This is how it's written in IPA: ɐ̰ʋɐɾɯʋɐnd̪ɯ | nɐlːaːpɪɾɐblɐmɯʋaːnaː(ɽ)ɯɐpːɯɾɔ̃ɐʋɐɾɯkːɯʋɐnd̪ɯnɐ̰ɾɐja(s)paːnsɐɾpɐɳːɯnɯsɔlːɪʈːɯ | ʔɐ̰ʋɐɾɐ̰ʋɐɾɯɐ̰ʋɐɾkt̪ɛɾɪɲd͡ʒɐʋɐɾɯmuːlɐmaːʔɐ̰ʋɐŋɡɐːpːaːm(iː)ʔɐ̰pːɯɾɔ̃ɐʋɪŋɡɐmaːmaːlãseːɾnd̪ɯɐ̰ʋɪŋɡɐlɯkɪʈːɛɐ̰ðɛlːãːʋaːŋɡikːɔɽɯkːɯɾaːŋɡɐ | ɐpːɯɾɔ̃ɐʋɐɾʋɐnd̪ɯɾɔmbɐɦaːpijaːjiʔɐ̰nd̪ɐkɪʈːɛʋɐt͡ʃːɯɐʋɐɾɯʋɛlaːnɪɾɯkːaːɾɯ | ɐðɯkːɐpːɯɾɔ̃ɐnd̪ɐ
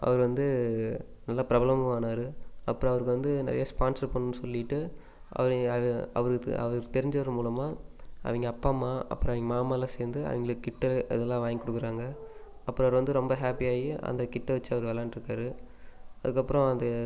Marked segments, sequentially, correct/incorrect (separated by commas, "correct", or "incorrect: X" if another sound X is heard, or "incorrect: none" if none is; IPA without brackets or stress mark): incorrect: ɾ, correct, incorrect: aː